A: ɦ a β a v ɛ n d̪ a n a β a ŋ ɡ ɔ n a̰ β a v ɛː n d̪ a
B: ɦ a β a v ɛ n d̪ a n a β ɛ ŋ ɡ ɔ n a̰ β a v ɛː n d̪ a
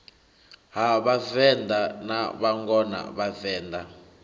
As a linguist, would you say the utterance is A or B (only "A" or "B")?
A